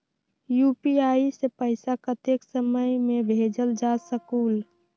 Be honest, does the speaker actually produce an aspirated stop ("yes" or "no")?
no